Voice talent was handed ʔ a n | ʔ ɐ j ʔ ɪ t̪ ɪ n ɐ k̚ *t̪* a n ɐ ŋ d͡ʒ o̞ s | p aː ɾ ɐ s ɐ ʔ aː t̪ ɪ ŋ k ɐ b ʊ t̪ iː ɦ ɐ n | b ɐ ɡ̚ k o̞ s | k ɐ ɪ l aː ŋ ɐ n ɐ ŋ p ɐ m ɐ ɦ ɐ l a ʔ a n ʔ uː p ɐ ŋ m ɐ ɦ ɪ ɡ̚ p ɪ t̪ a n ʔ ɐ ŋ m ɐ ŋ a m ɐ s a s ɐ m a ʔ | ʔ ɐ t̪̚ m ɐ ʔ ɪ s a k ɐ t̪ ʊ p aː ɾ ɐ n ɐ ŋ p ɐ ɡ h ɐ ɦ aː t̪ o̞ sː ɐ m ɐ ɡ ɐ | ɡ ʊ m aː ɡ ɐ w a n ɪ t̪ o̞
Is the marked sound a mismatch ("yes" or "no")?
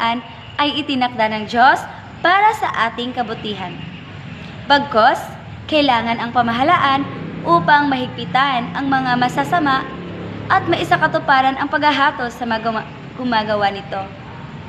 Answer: yes